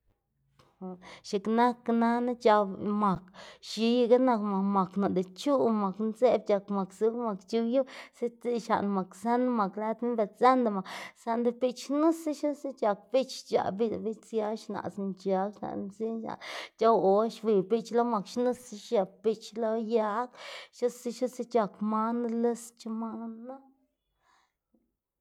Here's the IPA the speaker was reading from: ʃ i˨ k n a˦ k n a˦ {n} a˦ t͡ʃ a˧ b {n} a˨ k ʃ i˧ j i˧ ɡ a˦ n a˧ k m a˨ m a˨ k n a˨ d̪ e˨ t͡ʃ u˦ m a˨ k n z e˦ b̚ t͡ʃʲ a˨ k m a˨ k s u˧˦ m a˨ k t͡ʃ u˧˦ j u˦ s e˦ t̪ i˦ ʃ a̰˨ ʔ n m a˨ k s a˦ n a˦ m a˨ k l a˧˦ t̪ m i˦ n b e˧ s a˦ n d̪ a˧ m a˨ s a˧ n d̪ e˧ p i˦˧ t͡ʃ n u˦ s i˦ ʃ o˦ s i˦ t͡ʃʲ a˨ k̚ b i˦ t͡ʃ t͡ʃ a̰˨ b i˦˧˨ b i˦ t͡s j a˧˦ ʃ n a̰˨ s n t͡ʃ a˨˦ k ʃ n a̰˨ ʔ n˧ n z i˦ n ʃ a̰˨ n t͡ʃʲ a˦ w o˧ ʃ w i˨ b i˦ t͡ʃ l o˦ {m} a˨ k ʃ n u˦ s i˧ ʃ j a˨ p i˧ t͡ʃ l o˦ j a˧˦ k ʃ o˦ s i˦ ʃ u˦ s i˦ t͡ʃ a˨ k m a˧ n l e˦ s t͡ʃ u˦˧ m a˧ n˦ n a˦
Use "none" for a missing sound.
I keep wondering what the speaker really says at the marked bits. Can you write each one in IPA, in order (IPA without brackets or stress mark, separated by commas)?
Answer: n, m, m